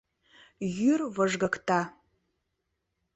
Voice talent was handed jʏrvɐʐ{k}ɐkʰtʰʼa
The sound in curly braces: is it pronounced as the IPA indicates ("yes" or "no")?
no